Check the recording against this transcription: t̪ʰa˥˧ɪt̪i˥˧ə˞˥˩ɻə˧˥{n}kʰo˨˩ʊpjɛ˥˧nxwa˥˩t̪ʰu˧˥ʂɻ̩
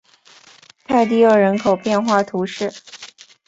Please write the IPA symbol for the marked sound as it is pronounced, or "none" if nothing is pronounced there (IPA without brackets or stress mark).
n